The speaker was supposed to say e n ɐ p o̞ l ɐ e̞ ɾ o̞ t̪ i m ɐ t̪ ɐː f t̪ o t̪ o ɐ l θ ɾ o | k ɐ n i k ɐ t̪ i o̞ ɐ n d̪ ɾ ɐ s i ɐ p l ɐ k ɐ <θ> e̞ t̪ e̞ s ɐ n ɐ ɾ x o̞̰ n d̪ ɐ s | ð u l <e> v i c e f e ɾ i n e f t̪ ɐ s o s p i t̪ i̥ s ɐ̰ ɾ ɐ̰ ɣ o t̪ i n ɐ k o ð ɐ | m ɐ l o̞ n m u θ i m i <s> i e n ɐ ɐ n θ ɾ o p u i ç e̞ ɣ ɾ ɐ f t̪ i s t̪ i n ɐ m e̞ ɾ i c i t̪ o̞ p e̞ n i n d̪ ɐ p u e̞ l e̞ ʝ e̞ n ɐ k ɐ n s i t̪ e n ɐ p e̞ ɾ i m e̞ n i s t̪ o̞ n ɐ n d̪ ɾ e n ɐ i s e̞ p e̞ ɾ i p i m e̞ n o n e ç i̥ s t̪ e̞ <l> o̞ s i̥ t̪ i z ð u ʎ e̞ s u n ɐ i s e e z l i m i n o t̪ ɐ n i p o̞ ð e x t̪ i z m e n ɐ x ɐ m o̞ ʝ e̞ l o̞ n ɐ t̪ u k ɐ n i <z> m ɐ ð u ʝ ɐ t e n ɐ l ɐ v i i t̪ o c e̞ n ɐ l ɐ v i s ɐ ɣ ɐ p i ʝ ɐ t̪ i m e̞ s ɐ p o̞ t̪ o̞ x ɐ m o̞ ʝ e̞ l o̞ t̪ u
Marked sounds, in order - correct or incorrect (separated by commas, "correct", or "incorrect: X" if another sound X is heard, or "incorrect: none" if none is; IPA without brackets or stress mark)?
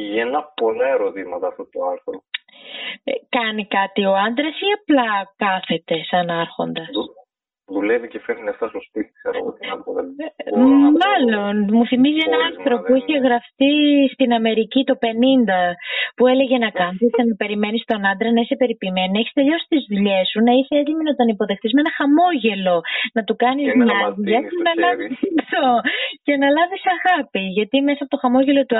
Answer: correct, correct, incorrect: z, incorrect: ʎ, correct